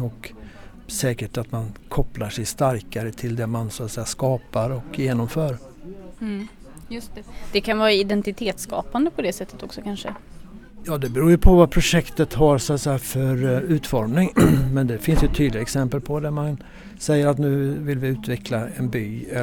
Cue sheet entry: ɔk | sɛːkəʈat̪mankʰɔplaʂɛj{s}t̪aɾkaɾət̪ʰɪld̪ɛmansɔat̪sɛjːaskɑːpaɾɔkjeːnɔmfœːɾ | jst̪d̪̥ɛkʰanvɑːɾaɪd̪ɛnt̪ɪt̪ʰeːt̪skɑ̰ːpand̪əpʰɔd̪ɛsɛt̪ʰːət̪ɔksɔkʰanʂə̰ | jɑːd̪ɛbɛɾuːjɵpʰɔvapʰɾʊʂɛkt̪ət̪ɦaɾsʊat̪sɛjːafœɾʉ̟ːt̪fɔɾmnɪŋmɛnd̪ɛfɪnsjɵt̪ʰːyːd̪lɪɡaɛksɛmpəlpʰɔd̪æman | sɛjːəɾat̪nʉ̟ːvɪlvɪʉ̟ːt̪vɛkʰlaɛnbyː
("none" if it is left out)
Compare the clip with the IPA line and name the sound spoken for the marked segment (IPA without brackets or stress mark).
s